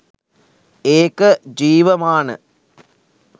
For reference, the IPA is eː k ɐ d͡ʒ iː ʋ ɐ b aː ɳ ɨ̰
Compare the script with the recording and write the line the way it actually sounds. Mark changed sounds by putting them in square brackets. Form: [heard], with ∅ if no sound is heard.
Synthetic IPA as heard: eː k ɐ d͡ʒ iː ʋ ɐ [m] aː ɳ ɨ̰